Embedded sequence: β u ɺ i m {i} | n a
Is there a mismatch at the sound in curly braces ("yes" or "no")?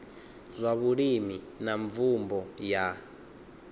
no